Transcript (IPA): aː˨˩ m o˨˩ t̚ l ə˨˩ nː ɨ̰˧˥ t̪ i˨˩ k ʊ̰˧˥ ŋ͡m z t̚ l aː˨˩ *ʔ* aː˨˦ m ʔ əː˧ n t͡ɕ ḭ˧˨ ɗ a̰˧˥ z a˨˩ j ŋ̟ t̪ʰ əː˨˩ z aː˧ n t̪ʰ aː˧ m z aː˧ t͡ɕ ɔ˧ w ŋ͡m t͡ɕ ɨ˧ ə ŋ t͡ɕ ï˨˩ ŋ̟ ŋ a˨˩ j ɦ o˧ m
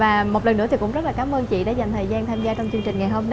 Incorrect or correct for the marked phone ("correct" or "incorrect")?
incorrect